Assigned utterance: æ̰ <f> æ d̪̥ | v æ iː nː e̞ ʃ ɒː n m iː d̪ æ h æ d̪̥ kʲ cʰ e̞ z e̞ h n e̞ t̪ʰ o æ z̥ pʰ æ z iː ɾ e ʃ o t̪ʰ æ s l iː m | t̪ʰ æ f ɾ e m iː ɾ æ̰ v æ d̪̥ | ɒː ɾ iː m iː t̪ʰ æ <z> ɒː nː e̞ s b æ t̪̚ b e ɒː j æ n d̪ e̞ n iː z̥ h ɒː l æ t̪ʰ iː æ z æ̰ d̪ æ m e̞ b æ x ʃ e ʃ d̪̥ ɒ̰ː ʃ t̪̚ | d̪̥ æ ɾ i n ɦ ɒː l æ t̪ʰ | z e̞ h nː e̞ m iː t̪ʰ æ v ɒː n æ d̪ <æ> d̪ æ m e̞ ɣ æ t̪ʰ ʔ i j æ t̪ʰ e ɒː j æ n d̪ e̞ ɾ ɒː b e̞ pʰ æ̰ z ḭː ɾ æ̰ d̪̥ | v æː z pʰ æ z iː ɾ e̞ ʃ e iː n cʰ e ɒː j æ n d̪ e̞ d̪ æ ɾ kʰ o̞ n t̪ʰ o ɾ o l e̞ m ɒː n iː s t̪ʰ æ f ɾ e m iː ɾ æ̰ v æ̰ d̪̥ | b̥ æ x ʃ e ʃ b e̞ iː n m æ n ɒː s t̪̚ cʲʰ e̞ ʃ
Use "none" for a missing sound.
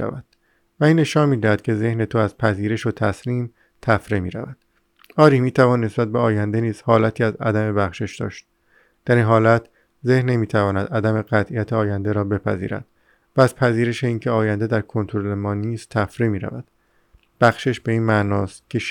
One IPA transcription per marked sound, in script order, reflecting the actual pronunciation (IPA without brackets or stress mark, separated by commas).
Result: v, v, æ